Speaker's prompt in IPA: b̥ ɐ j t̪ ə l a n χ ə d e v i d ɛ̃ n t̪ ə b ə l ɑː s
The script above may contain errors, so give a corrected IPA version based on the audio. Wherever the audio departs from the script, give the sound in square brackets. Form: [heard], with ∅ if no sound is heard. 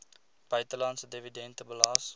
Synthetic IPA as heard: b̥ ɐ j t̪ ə l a n [s] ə d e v i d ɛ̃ n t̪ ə b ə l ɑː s